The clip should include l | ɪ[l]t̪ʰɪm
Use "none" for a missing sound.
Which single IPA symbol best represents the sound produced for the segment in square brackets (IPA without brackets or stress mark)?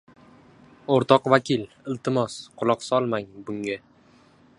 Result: l